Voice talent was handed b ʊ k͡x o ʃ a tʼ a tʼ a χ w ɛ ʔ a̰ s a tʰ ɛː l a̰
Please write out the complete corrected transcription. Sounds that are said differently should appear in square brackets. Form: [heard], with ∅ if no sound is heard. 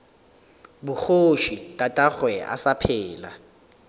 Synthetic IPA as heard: b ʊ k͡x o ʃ [i] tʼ a tʼ a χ w ɛ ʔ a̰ s a [pʰ] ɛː l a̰